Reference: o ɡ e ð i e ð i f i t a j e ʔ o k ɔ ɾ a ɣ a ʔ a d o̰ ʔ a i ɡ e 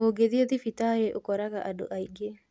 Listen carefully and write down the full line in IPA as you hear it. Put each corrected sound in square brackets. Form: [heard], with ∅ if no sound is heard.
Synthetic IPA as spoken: o ɡ e ð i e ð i f i t a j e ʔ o k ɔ ɾ a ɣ a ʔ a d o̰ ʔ a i ɡ e